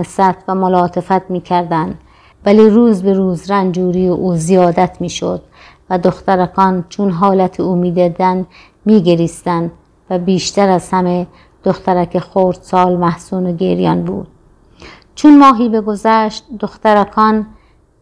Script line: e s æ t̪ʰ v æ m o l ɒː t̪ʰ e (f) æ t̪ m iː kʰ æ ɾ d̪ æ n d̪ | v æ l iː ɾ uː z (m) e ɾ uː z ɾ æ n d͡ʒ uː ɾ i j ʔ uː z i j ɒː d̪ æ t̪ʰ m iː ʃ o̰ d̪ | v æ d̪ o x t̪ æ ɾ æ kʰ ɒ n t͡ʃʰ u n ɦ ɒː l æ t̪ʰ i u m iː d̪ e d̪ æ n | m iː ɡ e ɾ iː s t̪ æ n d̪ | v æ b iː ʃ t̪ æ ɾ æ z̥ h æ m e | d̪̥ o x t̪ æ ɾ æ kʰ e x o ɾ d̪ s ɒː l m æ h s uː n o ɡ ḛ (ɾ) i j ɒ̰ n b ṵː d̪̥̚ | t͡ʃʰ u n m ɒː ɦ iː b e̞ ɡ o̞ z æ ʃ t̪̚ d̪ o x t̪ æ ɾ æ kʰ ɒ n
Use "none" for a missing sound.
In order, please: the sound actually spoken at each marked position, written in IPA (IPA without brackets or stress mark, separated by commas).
f, b, ɾ